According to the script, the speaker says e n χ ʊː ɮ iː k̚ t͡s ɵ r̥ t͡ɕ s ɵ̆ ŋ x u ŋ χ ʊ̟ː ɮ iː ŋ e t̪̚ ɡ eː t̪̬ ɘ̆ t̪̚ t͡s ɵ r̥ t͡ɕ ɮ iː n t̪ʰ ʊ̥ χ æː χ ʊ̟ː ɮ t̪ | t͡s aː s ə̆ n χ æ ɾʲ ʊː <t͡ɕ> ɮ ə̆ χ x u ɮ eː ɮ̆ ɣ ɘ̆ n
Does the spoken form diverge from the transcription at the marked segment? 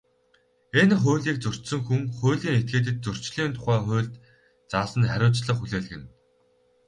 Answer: no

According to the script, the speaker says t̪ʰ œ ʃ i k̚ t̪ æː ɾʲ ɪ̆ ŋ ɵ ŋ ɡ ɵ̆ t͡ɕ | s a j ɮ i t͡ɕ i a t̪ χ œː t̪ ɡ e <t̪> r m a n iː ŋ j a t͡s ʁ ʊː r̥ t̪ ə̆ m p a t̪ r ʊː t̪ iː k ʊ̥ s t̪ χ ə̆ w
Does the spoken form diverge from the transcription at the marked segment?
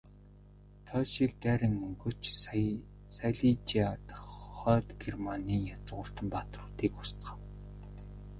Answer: yes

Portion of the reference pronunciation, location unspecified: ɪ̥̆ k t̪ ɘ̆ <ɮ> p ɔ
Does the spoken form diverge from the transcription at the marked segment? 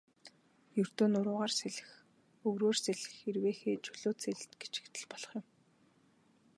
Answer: no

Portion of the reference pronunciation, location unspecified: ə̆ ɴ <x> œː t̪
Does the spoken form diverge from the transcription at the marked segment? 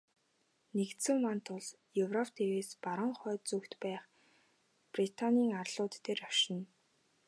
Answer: yes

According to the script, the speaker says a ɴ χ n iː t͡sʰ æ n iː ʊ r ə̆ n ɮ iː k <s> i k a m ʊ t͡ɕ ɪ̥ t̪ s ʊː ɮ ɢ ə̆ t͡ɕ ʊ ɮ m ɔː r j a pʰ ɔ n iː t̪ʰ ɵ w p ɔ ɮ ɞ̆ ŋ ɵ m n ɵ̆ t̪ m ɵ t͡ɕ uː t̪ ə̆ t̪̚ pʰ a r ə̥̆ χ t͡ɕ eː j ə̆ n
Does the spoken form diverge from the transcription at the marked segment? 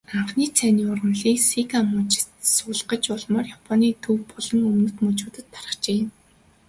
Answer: no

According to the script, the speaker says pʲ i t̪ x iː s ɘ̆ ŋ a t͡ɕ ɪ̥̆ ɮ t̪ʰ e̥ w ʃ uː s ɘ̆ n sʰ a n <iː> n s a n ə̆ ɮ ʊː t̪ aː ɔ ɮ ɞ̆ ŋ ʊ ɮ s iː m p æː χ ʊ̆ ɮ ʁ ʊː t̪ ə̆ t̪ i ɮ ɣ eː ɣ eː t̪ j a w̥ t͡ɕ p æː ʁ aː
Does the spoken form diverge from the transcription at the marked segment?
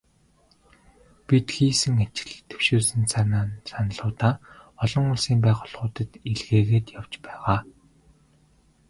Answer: yes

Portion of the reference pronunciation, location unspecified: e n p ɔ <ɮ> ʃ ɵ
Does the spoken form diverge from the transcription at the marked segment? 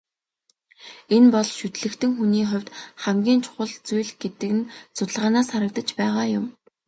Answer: no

